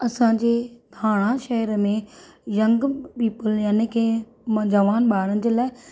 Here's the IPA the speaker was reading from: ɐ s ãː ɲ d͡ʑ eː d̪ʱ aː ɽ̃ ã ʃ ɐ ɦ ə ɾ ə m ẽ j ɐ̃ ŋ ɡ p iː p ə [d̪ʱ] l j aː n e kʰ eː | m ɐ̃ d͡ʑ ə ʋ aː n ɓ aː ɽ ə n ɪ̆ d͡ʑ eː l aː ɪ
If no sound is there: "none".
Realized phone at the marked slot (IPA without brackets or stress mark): none